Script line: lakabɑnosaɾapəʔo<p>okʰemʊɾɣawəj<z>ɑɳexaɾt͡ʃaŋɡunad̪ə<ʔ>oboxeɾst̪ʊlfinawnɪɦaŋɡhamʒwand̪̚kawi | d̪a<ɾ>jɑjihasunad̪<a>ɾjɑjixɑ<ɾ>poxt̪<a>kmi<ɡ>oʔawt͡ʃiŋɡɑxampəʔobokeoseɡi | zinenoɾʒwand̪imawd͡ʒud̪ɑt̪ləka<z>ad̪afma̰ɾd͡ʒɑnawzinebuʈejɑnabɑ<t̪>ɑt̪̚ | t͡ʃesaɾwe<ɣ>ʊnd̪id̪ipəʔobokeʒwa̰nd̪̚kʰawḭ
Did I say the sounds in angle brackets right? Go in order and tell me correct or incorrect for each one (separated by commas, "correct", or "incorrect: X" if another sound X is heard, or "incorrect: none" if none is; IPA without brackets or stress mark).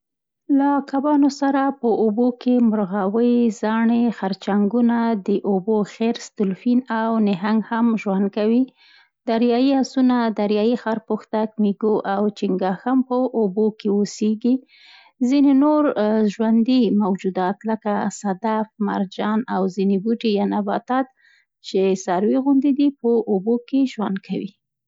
incorrect: b, correct, correct, correct, correct, correct, correct, correct, incorrect: s, correct, correct